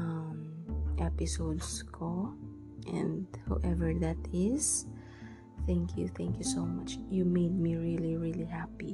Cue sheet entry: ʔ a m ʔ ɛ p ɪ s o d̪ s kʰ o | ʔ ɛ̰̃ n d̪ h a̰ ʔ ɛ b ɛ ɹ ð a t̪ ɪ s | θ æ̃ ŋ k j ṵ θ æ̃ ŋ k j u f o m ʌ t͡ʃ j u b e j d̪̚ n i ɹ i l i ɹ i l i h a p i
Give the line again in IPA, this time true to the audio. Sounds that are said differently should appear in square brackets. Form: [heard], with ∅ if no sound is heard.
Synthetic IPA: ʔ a m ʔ ɛ p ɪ s o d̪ s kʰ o | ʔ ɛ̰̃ n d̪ h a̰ ʔ ɛ [v] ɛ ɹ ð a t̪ ɪ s | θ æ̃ ŋ k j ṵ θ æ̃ ŋ k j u [s] o m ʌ t͡ʃ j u [m] e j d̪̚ [m] i ɹ i l i ɹ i l i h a p i